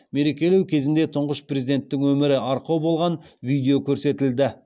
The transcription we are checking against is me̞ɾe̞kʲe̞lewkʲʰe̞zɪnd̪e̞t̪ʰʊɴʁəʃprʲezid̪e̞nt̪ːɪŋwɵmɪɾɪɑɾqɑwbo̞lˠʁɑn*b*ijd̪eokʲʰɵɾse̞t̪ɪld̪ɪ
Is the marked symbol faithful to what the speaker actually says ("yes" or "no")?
no